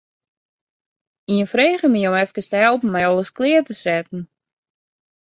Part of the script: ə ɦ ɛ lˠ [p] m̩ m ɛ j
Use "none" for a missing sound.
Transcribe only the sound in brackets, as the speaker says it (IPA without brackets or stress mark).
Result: p